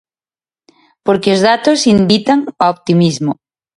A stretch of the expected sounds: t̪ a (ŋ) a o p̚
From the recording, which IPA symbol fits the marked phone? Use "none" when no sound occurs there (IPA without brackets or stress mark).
ŋ